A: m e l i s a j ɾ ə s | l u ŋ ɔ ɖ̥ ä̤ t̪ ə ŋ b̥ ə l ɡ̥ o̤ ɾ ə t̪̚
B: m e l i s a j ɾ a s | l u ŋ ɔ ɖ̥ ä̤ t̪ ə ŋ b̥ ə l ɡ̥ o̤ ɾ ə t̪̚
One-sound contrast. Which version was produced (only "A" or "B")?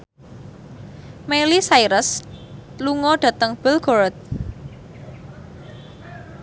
A